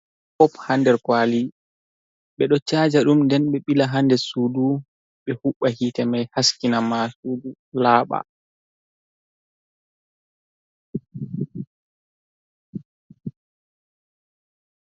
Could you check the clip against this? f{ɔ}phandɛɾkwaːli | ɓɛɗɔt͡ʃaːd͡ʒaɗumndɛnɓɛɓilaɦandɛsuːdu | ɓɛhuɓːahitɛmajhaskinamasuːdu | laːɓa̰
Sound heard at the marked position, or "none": ɔ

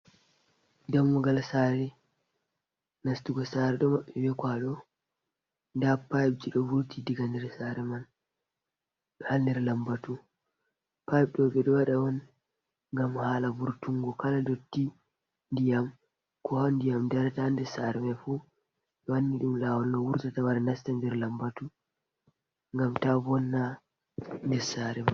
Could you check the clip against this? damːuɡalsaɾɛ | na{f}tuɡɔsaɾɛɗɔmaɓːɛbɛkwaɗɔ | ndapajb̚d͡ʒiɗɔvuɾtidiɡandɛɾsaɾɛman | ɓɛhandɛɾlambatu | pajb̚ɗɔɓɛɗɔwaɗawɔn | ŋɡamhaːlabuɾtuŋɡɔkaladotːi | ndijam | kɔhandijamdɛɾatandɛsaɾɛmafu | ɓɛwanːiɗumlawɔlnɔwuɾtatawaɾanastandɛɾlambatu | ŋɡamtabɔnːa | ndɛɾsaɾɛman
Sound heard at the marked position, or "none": s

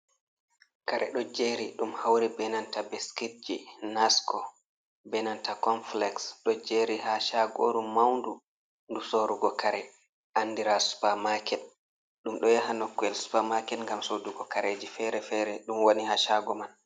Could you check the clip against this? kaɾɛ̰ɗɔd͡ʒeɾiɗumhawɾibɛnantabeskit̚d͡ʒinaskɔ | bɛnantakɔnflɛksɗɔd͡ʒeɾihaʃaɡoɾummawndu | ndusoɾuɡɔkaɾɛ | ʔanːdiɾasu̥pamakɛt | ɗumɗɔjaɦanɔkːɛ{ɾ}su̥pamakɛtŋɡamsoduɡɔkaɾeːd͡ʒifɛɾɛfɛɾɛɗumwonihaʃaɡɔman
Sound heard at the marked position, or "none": l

